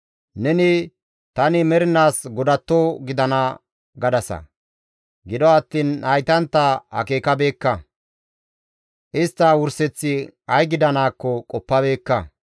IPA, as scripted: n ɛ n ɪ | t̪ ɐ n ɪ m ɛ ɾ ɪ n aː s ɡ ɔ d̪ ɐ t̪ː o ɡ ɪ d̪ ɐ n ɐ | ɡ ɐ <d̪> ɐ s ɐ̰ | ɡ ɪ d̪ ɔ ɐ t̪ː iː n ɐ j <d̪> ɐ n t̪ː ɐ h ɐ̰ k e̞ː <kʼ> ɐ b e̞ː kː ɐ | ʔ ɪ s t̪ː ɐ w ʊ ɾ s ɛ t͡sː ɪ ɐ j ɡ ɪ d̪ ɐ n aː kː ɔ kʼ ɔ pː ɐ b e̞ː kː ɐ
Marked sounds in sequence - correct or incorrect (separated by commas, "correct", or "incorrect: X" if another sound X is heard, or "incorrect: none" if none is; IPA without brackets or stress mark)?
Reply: correct, incorrect: t̪, incorrect: k